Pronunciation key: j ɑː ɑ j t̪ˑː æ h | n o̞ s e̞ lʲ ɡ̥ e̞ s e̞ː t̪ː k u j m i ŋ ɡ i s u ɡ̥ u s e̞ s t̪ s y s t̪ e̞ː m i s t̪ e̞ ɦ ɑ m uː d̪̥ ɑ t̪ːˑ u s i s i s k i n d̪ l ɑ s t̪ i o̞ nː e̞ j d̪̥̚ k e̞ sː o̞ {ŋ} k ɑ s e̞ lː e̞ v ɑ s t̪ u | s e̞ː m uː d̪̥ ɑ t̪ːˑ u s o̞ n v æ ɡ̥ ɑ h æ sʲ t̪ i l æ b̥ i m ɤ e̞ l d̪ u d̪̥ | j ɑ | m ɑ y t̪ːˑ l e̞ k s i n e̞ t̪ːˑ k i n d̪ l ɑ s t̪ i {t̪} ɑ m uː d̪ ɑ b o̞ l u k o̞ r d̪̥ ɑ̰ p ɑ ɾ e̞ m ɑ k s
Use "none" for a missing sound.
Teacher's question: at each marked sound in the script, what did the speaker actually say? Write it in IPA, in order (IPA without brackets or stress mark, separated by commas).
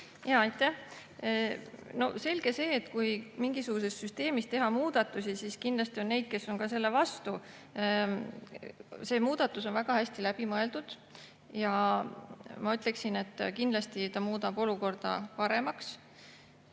n, t̪